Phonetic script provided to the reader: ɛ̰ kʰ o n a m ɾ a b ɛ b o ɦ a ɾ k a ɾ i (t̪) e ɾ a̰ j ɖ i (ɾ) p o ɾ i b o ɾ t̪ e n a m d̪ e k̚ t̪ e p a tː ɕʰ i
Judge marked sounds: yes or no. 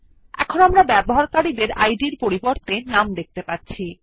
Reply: no, yes

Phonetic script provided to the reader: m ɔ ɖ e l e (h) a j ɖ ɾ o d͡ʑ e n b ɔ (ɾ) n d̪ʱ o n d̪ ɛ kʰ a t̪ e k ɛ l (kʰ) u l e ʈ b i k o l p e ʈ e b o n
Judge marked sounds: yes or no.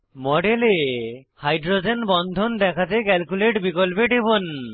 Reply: yes, no, no

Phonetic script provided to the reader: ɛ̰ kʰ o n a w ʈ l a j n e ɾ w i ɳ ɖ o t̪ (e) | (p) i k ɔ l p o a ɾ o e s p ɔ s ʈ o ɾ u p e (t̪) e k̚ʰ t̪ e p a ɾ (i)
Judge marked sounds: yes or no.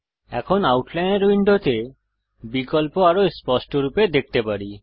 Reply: yes, no, no, yes

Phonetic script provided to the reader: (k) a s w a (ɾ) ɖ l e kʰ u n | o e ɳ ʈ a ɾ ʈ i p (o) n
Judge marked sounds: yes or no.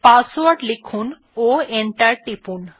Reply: no, yes, no

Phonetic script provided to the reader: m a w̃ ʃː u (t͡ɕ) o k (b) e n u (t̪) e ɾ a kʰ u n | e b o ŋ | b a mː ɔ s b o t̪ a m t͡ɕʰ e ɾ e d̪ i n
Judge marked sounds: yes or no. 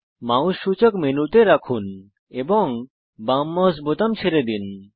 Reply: yes, no, yes

